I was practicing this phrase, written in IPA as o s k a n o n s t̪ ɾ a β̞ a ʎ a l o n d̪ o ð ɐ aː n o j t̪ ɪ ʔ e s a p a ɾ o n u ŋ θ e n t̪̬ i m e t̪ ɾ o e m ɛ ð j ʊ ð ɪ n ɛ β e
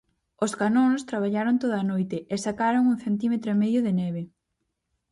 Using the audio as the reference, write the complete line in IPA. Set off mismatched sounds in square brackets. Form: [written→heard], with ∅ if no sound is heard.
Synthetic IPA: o s k a n o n s t̪ ɾ a β̞ a ʎ a [l→ɾ] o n [d̪→t̪] o ð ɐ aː n o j t̪ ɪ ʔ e s a [p→k] a ɾ o [n→ŋ] u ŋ θ e n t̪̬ i m e t̪ ɾ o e m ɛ ð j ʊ ð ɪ n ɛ β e